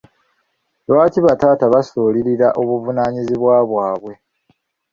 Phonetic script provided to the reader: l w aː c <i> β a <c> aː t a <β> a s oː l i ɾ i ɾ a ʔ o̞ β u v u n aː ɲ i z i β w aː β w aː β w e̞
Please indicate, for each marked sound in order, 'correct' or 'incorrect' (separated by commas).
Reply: correct, incorrect, correct